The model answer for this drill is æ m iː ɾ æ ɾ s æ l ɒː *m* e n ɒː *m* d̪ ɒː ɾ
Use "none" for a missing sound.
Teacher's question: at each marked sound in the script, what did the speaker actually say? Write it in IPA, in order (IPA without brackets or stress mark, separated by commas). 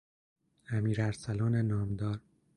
n, m